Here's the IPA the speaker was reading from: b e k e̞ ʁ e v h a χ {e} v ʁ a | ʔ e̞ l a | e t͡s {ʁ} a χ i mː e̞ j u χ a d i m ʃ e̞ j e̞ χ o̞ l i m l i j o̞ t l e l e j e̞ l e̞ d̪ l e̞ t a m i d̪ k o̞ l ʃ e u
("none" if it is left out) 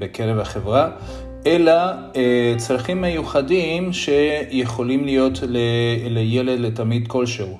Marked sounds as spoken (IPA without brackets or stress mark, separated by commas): e, ʁ